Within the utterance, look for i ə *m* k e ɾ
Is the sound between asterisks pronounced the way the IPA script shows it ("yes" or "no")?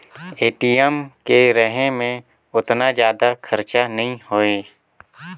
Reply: yes